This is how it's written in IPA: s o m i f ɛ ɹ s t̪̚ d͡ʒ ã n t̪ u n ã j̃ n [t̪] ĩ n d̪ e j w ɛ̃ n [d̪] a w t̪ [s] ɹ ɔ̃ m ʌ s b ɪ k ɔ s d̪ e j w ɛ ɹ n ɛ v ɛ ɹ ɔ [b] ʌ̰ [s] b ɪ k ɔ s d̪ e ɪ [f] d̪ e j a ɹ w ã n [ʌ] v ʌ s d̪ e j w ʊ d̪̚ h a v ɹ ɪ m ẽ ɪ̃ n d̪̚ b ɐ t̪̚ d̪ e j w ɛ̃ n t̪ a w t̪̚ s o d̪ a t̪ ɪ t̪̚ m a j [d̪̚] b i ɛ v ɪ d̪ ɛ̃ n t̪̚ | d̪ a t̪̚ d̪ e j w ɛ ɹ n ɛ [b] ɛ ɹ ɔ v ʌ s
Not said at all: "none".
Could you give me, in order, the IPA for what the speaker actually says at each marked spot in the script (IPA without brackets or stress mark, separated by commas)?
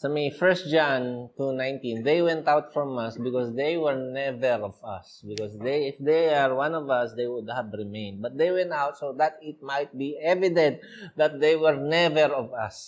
t̪, t̪, f, v, s, f, ɔ, t̪̚, v